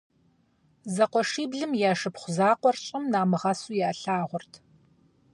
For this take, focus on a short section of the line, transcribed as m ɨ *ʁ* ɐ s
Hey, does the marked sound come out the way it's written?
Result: yes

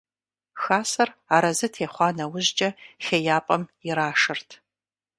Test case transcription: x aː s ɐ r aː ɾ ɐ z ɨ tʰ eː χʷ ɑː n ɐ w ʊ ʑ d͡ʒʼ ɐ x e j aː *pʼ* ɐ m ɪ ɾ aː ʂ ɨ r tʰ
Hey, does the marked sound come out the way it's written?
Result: yes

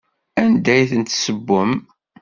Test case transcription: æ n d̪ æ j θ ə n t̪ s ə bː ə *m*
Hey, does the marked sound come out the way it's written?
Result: yes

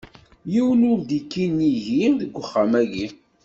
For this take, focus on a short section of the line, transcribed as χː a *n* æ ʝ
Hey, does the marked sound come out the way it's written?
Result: no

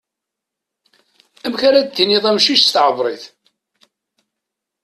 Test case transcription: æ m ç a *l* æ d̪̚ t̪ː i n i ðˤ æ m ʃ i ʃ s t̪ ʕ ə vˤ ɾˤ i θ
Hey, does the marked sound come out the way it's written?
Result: no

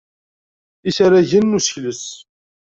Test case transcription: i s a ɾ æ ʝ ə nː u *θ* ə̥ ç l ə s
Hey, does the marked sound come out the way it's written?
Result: no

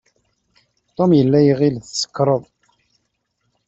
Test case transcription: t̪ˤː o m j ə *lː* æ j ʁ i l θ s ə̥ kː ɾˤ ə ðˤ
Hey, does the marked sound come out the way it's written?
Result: yes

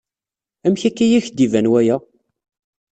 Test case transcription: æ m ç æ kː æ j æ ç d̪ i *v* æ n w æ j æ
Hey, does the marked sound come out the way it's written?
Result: yes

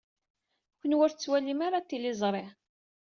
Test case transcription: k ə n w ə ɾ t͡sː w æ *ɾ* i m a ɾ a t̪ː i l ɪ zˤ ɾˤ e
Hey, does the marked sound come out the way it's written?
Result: no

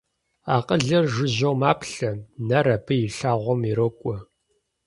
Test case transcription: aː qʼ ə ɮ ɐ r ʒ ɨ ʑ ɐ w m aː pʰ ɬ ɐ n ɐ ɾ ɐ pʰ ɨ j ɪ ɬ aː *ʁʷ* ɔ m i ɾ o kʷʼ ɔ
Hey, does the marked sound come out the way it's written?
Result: yes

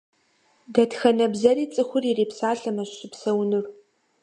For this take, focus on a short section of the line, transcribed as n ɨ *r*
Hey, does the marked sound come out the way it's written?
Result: yes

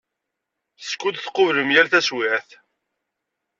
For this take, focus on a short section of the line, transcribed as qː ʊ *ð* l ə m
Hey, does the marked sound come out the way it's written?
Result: no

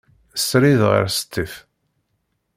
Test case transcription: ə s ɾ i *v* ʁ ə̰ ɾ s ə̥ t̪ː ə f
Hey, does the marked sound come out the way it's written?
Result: no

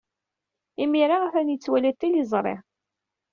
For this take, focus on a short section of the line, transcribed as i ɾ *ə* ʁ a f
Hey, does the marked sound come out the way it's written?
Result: no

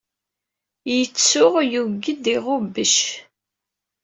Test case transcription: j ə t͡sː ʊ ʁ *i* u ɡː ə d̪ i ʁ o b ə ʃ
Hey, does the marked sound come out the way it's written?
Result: no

